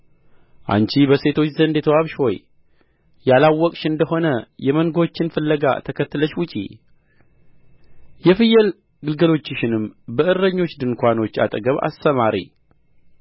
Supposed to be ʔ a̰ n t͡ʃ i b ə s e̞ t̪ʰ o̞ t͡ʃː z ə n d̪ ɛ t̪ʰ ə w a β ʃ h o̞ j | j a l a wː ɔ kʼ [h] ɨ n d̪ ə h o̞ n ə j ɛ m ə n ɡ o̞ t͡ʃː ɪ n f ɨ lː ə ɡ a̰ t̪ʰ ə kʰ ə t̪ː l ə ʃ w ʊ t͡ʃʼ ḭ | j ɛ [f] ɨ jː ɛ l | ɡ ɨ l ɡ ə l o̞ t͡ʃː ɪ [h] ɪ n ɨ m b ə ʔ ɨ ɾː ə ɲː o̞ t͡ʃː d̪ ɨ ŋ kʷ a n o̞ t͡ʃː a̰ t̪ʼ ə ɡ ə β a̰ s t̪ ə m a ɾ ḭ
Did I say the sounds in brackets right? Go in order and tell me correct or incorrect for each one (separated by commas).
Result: incorrect, correct, incorrect